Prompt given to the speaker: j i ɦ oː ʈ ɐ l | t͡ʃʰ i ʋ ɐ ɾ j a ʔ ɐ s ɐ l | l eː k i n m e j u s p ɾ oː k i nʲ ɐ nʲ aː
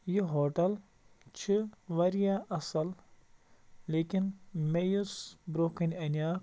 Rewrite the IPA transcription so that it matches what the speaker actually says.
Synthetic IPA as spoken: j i ɦ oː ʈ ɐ l | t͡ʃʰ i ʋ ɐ ɾ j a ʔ ɐ s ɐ l | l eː k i n m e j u s b ɾ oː k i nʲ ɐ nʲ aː